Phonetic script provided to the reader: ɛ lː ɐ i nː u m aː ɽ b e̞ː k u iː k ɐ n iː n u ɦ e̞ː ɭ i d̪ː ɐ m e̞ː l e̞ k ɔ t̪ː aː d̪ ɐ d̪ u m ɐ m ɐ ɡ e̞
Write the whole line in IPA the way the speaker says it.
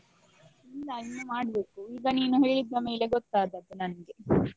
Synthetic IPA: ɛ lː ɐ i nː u m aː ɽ b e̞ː k u iː ɡ ɐ n iː n u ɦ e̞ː ɭ i d̪ː ɐ m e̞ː l e̞ ɡ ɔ t̪ː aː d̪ ɐ d̪ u n ɐ n ɐ ɡ e̞